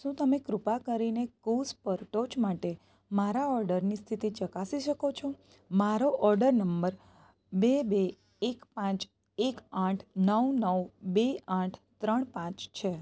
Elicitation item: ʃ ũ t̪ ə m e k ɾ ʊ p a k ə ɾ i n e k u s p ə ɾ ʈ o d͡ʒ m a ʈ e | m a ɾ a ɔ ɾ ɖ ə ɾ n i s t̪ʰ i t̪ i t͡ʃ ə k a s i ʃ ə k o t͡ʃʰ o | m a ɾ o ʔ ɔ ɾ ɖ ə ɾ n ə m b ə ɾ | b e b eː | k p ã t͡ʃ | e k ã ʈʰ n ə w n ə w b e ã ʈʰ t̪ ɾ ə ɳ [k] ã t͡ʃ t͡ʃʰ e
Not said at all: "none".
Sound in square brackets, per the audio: p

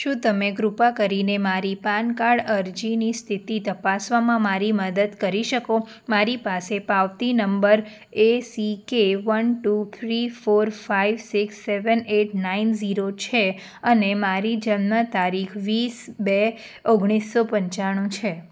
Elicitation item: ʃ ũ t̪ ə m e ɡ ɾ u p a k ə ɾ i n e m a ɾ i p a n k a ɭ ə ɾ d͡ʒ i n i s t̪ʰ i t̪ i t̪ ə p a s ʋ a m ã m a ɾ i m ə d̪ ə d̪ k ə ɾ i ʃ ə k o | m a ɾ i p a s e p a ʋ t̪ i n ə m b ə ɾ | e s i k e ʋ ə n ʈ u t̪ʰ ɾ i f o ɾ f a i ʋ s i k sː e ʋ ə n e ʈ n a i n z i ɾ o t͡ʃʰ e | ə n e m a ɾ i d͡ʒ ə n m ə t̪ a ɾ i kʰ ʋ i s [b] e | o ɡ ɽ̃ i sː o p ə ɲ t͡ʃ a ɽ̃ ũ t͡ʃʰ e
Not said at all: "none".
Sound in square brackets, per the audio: b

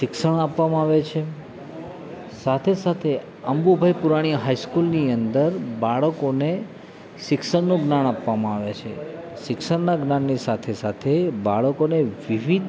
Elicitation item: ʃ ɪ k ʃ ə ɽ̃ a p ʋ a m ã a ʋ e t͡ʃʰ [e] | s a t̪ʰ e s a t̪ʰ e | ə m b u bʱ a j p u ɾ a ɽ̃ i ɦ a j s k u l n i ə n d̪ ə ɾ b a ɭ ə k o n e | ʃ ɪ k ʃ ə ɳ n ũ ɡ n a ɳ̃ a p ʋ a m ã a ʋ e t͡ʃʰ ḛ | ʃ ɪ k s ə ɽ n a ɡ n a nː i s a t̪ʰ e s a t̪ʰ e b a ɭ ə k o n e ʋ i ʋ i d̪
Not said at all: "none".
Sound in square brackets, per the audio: e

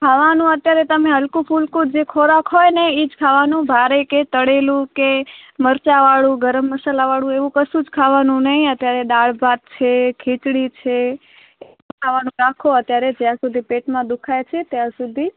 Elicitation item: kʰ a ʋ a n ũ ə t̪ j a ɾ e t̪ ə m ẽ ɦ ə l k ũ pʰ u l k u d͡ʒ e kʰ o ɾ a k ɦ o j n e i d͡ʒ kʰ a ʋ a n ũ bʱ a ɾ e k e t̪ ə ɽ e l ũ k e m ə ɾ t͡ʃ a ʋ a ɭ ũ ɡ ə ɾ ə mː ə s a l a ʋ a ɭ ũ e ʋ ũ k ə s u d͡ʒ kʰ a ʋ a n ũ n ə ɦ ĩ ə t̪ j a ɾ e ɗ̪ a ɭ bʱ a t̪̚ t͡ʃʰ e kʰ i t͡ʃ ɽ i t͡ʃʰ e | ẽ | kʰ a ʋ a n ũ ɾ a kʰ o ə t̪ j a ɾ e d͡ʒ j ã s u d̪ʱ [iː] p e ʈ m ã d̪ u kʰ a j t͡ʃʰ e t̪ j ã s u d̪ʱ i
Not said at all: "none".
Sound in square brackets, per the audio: i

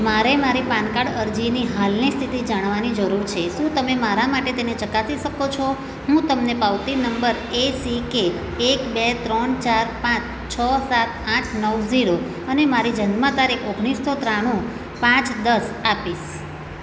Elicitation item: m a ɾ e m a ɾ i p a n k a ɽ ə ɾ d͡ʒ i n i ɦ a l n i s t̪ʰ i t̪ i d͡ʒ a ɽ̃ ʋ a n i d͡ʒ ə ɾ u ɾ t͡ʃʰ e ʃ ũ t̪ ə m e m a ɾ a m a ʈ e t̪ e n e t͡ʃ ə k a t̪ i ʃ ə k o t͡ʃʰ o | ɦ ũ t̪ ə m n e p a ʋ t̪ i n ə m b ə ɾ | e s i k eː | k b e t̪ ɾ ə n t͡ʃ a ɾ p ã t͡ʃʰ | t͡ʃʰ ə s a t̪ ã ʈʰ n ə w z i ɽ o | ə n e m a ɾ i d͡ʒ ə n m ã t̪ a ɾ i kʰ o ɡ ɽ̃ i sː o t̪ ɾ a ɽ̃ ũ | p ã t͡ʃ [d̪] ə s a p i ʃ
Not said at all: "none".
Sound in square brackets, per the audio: d̪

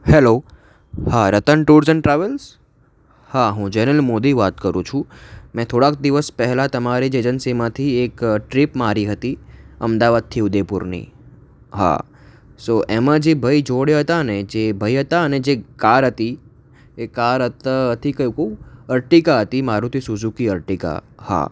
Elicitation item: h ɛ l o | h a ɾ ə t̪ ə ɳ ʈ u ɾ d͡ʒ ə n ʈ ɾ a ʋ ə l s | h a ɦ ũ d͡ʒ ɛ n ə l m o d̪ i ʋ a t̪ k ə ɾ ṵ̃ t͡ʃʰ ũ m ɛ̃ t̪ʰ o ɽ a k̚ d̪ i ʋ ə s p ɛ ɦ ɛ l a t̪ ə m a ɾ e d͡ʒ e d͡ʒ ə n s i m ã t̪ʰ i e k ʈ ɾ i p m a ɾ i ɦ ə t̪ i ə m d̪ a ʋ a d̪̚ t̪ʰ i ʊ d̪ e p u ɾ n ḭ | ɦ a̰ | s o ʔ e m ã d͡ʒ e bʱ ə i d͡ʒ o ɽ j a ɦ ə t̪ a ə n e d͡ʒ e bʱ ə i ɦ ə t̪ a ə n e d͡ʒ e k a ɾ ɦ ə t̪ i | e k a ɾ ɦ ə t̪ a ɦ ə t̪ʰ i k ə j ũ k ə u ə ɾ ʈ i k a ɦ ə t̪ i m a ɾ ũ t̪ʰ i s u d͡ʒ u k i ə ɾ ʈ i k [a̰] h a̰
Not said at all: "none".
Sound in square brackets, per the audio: a̰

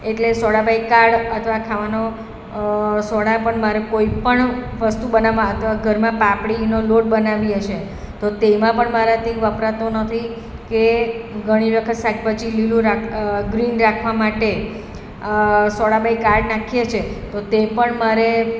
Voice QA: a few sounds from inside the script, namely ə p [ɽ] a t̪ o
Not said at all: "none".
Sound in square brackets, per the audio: ɾ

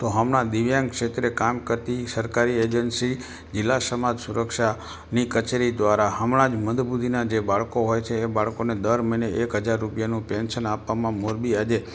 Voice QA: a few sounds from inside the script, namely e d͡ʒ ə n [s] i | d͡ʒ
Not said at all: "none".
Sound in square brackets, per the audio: s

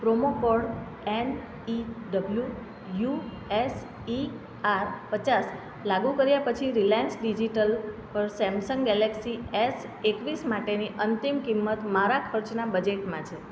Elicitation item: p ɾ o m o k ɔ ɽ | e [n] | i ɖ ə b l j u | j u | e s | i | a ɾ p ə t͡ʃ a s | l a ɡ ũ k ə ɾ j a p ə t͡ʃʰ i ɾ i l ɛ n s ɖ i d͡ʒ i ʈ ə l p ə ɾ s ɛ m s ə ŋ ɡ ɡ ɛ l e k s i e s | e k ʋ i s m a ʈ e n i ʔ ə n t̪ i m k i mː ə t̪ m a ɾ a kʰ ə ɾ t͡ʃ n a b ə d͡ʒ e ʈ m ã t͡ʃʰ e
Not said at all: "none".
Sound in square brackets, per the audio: n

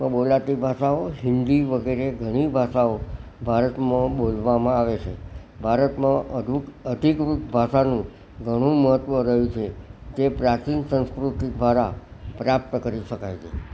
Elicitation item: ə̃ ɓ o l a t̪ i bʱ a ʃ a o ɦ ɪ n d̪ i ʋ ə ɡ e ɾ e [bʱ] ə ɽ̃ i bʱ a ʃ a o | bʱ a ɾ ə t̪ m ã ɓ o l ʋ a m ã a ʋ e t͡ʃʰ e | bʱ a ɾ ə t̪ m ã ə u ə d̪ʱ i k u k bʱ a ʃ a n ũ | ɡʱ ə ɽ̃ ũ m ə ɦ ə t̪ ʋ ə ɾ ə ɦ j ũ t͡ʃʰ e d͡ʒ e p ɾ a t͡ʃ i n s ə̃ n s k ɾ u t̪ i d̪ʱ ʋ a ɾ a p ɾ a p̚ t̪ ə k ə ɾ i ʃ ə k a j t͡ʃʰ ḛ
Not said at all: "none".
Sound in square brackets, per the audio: ɡʱ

